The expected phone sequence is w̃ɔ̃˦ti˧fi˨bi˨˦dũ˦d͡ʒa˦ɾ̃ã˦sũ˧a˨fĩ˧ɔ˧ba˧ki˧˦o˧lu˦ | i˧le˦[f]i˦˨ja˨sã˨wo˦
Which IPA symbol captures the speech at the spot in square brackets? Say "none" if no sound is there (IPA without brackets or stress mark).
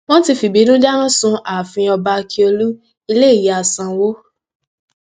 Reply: none